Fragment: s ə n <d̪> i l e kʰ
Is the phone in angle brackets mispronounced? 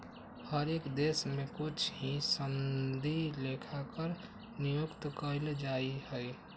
no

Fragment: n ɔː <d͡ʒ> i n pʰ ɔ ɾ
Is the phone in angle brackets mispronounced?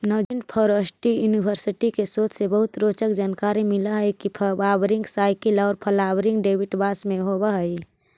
no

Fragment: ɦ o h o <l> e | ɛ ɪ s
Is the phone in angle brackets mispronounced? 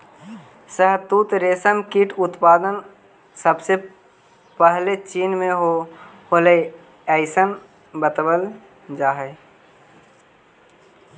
no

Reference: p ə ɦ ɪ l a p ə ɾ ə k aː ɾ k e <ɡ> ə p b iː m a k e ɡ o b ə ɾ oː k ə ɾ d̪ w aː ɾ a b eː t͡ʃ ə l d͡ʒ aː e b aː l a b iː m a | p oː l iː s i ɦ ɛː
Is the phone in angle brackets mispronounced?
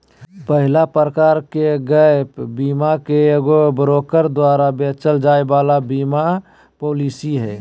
no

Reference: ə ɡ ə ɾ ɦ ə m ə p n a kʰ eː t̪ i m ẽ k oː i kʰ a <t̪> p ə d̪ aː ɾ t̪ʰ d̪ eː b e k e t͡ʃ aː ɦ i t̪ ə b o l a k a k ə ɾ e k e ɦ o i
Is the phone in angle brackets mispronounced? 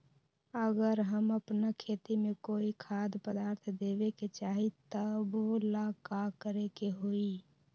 yes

